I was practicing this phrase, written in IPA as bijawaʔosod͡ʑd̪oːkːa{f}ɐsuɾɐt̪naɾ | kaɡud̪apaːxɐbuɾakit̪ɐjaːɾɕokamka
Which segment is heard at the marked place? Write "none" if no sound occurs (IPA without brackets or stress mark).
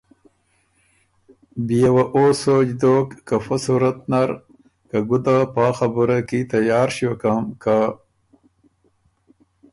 f